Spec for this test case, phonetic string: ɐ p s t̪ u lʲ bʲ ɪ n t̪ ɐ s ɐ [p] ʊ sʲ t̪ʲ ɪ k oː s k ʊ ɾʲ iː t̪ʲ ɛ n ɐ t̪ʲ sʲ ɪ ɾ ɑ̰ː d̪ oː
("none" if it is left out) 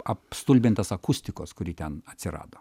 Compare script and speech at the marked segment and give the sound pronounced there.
k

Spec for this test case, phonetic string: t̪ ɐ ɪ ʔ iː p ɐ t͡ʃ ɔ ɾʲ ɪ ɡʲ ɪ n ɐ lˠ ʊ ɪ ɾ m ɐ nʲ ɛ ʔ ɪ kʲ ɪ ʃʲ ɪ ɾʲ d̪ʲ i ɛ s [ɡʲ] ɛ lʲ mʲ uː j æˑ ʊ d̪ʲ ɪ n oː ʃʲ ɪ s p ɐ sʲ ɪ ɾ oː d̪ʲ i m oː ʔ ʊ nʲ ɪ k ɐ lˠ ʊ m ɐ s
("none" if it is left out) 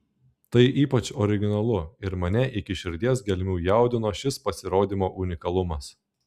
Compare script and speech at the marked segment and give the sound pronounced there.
ɡʲ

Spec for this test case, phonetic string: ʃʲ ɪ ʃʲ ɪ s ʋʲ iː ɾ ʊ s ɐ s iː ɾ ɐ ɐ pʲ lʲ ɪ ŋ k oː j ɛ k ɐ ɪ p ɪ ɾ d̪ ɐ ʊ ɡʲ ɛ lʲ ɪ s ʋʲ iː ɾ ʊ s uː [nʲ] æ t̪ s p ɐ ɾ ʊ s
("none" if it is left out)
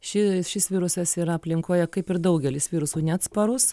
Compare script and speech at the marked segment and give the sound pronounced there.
nʲ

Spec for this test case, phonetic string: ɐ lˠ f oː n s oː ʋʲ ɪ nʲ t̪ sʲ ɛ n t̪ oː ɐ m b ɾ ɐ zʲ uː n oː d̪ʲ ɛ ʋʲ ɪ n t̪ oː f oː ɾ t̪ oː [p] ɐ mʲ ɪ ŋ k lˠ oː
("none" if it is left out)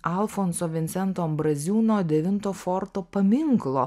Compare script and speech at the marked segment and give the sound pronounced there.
p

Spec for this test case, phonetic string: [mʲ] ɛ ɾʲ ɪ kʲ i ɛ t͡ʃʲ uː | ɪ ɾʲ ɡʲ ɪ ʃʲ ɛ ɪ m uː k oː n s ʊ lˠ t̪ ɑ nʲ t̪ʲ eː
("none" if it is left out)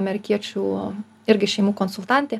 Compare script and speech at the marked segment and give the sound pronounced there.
mʲ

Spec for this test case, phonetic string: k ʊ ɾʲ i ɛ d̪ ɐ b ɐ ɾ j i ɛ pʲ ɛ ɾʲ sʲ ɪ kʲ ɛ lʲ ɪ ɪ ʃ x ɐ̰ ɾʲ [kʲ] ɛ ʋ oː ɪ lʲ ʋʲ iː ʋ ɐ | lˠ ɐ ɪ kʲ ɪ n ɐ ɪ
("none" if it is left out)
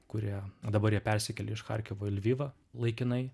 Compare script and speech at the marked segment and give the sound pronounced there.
kʲ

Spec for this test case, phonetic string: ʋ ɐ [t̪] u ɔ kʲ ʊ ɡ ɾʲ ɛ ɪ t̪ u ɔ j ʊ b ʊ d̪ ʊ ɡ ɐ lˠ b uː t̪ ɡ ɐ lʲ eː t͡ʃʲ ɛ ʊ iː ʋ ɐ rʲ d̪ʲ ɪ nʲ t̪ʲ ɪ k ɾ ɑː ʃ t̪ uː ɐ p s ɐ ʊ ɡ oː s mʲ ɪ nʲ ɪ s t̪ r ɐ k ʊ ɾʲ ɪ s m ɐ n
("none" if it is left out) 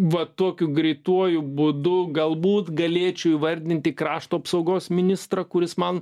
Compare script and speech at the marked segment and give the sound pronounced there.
t̪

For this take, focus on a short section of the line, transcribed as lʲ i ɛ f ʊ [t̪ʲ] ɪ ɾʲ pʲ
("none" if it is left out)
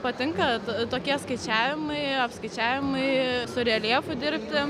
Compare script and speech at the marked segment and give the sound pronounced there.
d̪ʲ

